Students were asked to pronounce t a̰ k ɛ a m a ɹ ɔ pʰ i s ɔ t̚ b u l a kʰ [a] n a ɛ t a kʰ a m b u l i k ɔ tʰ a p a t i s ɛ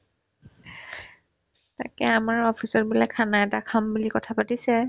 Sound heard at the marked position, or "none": a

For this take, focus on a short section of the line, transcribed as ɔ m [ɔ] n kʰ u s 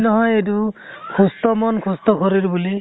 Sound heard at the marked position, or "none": ɔ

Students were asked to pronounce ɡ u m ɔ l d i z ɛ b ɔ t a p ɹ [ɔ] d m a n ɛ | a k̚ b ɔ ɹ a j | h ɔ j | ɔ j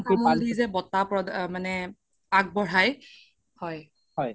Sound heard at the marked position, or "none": ɔ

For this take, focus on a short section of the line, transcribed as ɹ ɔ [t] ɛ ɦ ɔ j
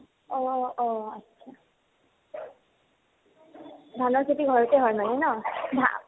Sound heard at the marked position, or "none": t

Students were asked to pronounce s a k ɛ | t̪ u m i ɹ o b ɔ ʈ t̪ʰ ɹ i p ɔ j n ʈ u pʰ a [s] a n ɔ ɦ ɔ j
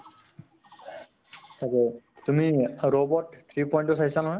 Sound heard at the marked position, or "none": s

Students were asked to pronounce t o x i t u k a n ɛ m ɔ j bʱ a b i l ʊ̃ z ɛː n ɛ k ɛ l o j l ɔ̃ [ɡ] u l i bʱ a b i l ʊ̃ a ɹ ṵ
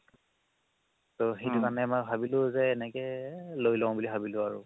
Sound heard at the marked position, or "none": b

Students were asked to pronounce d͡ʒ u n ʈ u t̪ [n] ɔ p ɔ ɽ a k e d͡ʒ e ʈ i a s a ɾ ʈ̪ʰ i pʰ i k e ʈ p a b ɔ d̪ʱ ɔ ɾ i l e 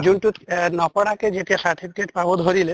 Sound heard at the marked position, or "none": n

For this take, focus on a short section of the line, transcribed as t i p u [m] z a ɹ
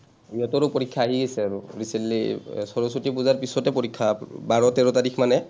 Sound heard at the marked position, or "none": none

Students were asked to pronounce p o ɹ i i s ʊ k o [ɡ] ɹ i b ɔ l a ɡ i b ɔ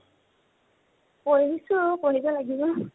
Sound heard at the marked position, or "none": none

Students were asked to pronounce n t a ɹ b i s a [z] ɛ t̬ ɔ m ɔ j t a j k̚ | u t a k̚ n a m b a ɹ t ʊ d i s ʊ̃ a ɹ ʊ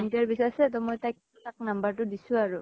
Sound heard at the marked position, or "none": s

